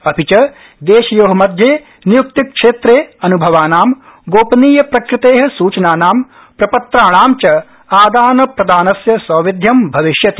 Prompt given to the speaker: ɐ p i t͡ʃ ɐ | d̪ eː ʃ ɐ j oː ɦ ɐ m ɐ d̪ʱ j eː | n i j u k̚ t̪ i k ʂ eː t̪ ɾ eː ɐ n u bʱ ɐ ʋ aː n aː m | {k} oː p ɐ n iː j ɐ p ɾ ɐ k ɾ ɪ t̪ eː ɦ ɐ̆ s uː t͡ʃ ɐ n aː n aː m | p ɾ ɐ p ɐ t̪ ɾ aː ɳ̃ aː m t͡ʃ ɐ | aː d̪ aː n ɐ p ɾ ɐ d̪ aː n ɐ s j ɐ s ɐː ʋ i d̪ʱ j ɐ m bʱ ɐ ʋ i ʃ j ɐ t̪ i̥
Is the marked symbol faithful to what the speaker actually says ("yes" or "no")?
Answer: no